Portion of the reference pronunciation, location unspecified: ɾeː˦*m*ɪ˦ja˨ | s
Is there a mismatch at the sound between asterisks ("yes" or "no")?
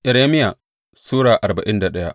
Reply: no